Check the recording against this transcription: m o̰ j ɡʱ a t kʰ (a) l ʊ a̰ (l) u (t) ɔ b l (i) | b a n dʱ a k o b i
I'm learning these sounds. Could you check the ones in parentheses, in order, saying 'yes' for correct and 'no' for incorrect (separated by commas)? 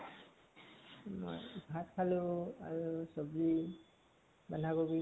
yes, no, no, yes